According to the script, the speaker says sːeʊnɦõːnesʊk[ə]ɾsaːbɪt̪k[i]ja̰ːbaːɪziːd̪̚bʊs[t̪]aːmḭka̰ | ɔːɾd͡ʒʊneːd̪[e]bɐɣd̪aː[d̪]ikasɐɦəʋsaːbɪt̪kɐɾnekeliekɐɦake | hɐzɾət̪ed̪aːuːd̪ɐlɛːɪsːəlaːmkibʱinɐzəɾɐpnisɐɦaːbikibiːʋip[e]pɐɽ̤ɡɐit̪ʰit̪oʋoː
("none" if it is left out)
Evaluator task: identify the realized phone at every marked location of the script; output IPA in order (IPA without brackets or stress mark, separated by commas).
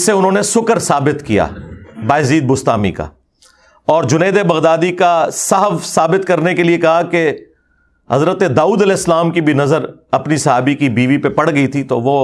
ə, i, t̪, e, d̪, e